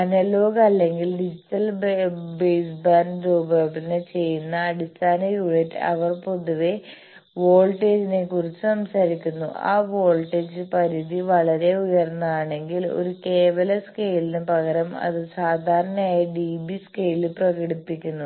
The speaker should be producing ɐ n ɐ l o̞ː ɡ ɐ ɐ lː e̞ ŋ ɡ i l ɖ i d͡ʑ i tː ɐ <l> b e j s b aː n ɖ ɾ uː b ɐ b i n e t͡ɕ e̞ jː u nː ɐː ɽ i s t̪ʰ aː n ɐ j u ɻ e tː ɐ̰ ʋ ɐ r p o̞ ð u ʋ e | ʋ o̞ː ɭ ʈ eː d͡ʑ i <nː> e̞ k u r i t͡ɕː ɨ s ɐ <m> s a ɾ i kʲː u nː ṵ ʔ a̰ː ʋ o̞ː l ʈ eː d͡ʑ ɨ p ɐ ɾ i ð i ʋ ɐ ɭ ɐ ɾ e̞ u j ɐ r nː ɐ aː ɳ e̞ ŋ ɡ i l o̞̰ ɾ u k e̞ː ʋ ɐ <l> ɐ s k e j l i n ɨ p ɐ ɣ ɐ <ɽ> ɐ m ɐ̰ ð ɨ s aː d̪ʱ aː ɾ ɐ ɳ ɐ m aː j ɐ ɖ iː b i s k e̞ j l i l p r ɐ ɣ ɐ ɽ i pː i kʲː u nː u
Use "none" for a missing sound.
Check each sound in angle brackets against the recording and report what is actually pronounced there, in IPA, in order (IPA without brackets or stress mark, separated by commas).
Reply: l, n, m, l, ɾ